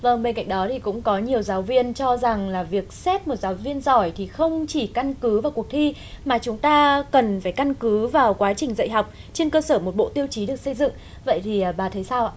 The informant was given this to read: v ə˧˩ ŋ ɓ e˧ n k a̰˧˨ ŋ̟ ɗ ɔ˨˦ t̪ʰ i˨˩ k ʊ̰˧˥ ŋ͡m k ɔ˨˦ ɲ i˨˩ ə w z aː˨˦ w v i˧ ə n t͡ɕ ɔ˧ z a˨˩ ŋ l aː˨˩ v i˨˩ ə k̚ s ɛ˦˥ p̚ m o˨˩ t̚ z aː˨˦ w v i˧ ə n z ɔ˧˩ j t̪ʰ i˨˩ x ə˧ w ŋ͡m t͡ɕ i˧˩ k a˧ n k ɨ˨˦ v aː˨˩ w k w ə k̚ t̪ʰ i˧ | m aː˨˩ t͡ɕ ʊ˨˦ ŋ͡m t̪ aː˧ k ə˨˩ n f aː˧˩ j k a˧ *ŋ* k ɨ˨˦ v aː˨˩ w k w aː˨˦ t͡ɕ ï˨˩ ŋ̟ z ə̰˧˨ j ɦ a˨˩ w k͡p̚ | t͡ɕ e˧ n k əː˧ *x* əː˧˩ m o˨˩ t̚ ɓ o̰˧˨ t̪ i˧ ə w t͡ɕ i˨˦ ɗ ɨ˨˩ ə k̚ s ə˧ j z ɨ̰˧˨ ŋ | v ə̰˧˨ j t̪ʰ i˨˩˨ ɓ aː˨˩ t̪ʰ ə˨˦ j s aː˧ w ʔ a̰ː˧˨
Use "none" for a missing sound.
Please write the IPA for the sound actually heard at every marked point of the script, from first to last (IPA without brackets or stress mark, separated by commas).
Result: n, s